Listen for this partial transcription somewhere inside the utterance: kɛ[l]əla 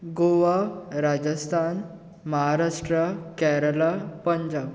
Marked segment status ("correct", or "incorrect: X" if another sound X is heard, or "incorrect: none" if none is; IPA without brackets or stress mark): incorrect: ɾ